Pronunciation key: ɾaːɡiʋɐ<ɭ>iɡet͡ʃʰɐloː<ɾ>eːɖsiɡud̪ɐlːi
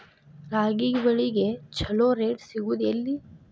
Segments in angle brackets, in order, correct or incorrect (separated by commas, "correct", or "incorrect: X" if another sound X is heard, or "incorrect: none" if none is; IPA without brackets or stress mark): correct, correct